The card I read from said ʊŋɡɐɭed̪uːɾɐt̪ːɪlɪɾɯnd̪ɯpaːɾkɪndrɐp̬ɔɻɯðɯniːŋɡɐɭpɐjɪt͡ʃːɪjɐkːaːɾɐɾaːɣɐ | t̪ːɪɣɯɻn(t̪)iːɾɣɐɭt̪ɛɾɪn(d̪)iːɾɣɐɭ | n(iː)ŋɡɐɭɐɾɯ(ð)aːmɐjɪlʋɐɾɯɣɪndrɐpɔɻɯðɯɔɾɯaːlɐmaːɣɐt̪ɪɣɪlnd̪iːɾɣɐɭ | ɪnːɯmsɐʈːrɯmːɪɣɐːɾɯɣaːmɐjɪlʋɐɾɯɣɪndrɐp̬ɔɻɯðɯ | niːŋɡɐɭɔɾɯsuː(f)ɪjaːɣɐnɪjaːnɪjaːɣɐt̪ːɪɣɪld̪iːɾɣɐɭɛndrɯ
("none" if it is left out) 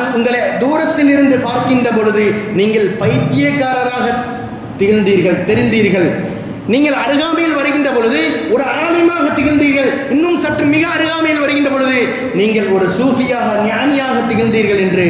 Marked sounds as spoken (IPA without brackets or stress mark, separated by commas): d̪, d̪, iː, ɣ, f